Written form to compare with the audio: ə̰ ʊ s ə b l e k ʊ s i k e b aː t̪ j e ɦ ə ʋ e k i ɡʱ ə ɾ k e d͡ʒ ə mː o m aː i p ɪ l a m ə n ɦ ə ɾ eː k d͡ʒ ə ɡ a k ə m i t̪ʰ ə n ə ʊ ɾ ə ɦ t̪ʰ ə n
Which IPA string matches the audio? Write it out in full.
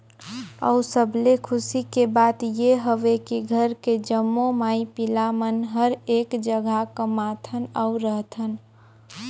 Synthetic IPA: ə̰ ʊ s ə b l e kʰ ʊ s i k e b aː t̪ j e ɦ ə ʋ e k i ɡʱ ə ɾ k e d͡ʒ ə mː o m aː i p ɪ l a m ə n ɦ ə ɾ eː k d͡ʒ ə ɡ a k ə m a t̪ʰ ə n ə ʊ ɾ ə ɦ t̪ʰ ə n